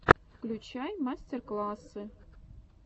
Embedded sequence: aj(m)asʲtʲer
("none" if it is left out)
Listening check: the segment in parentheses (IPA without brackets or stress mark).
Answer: m